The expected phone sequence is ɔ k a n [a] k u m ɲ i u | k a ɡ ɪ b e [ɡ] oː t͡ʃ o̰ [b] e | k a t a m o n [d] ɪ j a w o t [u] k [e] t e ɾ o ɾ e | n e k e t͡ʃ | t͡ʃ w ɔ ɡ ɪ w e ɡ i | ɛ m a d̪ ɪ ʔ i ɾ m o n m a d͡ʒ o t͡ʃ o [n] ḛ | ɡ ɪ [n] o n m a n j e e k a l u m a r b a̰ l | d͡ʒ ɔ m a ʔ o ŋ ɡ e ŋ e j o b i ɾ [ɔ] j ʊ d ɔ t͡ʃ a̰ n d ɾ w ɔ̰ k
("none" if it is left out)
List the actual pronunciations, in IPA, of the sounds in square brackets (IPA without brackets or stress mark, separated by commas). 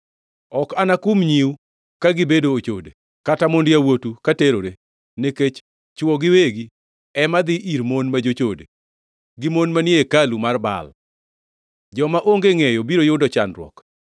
a, d, d, d, u, a, d, m, o